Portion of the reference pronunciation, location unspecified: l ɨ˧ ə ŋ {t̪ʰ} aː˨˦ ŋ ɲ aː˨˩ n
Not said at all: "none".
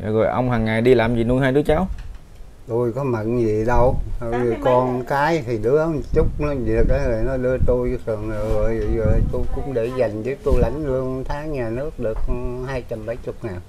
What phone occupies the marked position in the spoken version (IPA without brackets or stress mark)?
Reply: t̪ʰ